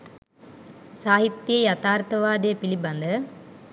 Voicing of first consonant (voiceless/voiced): voiceless